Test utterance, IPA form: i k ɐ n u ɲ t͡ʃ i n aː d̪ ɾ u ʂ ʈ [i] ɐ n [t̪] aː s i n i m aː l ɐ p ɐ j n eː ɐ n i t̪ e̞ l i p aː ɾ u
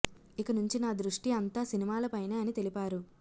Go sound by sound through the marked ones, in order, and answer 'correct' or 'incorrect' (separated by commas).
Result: correct, correct